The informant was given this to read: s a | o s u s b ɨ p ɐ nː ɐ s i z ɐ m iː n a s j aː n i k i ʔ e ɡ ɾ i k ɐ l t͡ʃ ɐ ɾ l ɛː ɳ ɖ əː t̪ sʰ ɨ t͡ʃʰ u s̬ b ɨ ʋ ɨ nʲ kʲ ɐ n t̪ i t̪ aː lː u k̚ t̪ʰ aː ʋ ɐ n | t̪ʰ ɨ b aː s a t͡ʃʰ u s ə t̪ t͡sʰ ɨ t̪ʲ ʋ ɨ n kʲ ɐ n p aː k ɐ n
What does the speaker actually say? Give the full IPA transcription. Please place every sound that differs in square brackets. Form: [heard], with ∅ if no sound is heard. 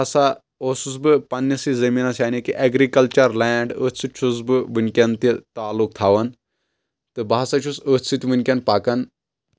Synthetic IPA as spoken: s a | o s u s b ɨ p ɐ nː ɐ s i z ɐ m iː n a s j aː n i k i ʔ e ɡ ɾ i k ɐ l t͡ʃ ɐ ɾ l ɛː ɳ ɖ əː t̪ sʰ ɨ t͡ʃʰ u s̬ b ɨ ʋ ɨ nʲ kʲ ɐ n t̪ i t̪ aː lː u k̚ t̪ʰ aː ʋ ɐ n | [t̪] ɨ b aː s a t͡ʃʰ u s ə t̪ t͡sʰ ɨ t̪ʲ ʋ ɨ n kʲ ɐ n p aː k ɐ n